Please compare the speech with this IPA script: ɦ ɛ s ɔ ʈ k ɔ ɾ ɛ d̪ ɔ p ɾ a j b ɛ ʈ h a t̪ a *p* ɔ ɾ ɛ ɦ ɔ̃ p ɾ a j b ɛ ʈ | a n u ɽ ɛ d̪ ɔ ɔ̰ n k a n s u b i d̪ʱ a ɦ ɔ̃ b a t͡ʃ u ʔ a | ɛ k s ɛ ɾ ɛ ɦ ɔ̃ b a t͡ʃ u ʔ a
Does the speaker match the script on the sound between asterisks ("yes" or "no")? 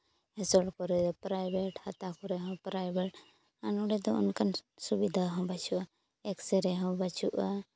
no